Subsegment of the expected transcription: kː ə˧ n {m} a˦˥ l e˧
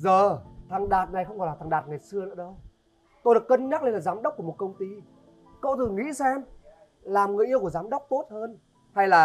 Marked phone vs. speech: incorrect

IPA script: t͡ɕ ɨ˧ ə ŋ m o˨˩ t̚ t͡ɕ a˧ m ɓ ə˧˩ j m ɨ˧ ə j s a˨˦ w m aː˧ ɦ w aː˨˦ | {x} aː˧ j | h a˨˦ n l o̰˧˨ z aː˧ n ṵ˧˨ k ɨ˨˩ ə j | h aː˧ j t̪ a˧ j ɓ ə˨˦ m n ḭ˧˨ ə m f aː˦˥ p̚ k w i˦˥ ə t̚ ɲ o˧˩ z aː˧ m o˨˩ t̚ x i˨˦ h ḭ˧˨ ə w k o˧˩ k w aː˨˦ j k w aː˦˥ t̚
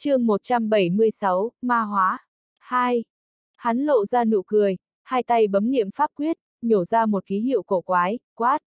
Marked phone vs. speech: incorrect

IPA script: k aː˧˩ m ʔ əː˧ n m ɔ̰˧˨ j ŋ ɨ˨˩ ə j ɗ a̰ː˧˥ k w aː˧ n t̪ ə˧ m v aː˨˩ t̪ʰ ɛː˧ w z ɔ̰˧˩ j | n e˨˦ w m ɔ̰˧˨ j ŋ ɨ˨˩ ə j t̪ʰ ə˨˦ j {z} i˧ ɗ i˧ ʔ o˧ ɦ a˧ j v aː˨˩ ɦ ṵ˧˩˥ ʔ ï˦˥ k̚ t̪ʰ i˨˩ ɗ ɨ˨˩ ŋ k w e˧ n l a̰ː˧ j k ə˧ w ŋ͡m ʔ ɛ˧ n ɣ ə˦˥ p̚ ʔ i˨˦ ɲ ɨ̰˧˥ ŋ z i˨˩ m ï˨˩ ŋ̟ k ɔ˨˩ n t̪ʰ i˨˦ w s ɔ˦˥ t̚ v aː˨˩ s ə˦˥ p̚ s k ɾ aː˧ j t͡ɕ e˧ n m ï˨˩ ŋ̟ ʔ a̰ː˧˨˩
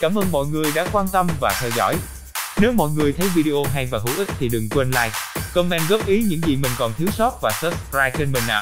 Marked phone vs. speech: incorrect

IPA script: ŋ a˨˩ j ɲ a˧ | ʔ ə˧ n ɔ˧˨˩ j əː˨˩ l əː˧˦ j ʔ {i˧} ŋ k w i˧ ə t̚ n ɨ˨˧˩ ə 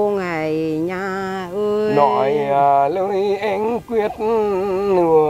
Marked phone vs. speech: incorrect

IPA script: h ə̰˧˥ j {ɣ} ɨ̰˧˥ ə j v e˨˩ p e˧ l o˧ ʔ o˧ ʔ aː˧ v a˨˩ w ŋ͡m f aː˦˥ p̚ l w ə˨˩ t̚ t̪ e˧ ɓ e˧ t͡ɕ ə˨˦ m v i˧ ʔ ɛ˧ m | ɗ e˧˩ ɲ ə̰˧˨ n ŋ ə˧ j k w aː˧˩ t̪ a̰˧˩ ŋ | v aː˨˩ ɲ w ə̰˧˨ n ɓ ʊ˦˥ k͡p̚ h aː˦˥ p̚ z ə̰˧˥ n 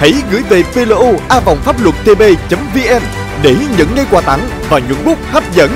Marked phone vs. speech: correct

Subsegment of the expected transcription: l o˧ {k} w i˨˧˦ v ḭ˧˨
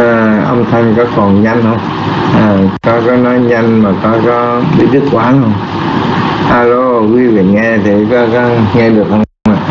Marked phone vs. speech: correct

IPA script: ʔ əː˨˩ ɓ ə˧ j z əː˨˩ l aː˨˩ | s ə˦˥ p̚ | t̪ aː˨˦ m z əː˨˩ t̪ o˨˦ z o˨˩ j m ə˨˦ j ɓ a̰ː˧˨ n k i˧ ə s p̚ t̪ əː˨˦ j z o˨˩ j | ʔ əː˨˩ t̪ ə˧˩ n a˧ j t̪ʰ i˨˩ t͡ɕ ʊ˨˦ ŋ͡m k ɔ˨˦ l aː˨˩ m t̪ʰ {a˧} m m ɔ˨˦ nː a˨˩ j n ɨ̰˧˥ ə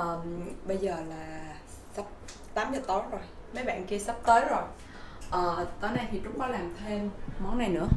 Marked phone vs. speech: incorrect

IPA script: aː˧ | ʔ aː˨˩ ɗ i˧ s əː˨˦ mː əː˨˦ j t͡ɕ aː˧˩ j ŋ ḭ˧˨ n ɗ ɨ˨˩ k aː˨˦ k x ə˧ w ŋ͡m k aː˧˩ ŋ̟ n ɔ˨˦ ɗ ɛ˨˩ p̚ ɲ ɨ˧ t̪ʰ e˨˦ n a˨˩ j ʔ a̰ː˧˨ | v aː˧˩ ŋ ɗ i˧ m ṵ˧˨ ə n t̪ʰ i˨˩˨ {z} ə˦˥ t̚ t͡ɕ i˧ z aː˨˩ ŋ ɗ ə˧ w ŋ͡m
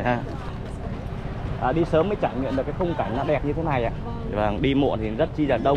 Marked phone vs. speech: correct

